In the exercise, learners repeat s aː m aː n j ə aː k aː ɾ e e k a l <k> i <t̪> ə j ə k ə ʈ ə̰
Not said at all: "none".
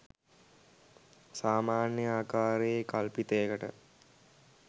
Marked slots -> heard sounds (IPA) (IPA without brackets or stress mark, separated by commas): p, t̪